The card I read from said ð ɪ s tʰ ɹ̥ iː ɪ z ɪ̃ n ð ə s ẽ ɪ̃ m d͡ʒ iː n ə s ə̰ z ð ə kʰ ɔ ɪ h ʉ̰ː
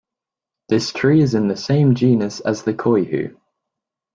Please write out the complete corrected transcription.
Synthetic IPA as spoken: ð ɪ s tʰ ɹ̥ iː ɪ z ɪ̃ n ð ə s ẽ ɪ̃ m d͡ʒ iː n ə s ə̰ z ð ə kʰ ɔ ɪ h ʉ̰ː